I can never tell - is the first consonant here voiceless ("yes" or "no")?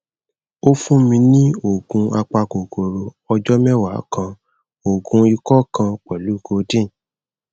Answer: yes